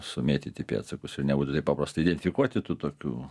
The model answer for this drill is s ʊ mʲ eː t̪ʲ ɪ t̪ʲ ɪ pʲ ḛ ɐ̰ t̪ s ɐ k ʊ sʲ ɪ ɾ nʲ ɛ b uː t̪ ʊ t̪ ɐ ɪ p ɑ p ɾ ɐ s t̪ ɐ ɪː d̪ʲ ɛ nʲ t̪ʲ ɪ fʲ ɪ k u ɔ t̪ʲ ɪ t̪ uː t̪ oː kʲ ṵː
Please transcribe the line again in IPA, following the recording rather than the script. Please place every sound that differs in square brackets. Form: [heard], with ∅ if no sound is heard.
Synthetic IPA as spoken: s ʊ mʲ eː t̪ʲ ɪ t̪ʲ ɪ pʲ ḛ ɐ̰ t̪ s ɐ k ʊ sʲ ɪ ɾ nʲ ɛ b uː t̪ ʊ t̪ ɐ ɪ p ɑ p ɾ ɐ s t̪ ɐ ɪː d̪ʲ ɛ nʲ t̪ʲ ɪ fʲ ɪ k u ɔ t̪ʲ ɪ t̪ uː t̪ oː kʲ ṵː